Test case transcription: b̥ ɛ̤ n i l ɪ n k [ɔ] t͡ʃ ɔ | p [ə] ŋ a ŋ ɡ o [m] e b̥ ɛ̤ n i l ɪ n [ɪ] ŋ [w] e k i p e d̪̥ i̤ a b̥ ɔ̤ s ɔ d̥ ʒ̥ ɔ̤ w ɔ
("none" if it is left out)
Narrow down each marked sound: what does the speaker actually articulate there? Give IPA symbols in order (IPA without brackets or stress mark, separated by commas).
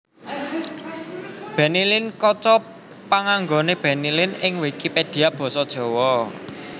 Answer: ɔ, a, n, ɪ, w